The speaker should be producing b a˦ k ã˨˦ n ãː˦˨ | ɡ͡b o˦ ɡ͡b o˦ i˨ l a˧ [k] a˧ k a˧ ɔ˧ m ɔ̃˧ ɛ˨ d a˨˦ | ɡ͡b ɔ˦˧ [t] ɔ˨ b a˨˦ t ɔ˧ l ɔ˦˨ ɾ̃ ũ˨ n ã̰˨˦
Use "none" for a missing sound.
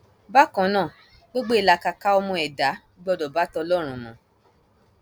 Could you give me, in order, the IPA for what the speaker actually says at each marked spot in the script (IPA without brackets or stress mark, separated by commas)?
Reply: k, d